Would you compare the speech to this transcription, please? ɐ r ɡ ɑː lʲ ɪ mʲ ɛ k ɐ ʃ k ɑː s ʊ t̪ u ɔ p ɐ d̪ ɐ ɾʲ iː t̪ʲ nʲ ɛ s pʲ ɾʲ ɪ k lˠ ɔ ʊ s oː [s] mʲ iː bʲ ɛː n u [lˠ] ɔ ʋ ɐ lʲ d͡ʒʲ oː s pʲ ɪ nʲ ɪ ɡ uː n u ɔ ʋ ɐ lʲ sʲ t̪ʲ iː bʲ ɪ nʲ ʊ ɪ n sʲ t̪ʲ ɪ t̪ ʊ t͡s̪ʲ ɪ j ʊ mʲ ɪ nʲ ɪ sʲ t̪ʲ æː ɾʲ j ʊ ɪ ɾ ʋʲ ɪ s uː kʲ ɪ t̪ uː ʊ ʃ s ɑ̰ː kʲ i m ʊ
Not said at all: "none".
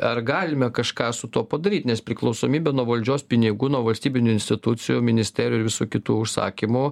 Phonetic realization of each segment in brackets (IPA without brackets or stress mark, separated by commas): none, none